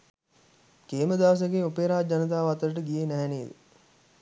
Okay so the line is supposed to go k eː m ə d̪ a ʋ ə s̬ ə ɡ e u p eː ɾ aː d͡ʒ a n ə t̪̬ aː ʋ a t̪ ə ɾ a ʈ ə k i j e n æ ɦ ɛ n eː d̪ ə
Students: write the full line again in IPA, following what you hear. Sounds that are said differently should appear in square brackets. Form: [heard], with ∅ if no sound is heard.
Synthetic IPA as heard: k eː m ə d̪ a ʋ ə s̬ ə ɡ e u p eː ɾ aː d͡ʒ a n ə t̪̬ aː ʋ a t̪ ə ɾ [ə] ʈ ə [ɡ] i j e n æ ɦ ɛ n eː d̪ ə

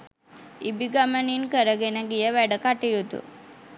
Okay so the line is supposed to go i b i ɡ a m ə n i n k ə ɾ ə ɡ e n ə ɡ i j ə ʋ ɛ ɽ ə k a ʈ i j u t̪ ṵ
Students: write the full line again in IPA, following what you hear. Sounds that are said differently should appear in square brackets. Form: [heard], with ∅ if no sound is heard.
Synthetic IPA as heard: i b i ɡ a m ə n i n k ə ɾ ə ɡ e n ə ɡ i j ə ʋ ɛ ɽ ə k a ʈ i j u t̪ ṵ

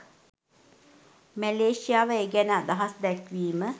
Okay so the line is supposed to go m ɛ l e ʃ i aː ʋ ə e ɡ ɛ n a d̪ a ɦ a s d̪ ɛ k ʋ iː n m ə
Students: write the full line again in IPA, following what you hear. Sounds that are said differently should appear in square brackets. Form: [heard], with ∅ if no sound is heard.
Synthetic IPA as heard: m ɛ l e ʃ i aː ʋ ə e ɡ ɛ n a d̪ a ɦ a s d̪ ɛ k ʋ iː [∅] m ə

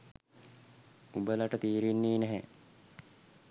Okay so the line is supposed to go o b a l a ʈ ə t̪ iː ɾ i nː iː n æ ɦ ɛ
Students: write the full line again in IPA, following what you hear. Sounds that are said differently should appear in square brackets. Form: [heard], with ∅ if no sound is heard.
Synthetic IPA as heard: [u] b [ə] l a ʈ ə t̪ iː ɾ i nː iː n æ ɦ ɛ

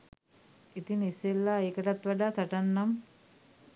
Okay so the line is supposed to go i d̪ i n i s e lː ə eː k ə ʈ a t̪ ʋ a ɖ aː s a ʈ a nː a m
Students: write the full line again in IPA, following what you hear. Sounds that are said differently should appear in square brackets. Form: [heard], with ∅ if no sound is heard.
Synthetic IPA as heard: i [t̪] i n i s e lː [a] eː k ə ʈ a t̪ ʋ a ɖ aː s a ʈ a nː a m

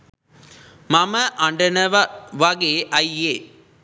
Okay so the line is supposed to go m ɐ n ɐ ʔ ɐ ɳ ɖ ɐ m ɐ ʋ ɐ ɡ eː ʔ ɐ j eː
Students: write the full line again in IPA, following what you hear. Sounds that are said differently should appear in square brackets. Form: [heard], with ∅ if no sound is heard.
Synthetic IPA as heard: m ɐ [m] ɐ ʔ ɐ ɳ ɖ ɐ [n] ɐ ʋ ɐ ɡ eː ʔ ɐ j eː

